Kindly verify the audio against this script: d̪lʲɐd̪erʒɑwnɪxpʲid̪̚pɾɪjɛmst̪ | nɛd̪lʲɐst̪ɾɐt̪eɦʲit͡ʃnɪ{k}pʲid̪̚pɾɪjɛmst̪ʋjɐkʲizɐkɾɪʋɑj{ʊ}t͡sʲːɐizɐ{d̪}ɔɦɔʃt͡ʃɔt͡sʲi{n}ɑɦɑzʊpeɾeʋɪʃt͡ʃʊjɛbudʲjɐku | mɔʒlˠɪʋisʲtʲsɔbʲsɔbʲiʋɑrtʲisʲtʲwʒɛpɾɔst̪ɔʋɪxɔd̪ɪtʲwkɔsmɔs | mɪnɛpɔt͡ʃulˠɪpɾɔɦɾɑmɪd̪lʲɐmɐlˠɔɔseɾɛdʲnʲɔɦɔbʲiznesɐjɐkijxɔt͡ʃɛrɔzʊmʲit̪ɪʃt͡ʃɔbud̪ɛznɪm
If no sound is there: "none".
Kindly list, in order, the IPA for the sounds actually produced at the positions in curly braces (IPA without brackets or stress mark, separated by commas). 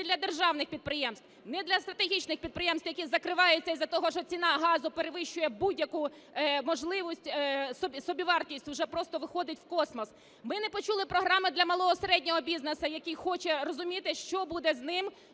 x, ʊ, t̪, n